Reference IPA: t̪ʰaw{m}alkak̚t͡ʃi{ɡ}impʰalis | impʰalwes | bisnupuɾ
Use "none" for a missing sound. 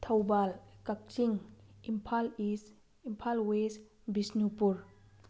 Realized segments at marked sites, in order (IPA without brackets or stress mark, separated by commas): b, ŋ